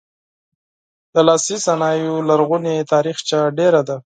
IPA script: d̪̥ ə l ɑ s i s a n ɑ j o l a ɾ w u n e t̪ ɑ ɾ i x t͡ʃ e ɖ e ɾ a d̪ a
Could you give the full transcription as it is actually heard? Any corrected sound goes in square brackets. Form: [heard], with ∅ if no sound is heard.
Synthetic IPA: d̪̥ ə l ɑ s i s a n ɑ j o l a ɾ [ɣ] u n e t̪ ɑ ɾ i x t͡ʃ [a] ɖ e ɾ a d̪ a